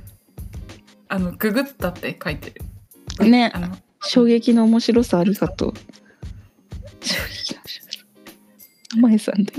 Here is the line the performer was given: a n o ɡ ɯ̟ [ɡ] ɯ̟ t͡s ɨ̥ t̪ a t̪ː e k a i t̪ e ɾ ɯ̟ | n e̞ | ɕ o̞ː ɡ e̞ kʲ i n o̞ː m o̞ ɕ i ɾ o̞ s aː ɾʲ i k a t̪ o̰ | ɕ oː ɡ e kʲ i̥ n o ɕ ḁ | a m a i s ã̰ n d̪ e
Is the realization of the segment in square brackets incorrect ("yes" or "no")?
no